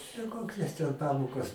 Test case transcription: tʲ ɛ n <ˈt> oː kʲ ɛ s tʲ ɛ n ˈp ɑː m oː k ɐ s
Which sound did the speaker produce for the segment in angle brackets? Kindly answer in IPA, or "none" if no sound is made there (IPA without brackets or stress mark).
k